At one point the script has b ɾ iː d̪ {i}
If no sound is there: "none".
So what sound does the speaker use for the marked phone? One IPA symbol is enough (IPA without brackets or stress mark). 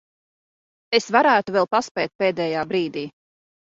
iː